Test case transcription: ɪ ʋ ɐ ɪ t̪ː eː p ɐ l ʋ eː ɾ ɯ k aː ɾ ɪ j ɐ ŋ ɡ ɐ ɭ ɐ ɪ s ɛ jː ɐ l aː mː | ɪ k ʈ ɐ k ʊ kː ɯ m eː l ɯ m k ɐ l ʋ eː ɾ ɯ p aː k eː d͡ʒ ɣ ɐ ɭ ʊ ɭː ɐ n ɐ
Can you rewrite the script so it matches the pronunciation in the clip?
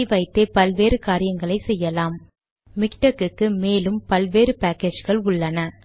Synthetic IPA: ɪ ʋ ɐ ɪ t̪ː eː p ɐ l ʋ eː ɾ ɯ k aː ɾ ɪ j ɐ ŋ ɡ ɐ ɭ ɐ ɪ s ɛ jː ɐ l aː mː | ɪ k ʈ ɐ k ɯ kː ɯ m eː l ɯ m p ɐ l ʋ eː ɾ ɯ p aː k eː d͡ʒ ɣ ɐ ɭ ʊ ɭː ɐ n ɐ